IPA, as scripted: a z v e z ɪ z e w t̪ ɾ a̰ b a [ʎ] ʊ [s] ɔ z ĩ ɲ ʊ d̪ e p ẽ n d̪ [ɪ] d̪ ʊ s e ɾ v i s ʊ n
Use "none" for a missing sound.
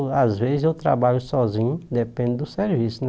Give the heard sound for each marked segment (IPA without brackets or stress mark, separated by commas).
ʎ, s, ɪ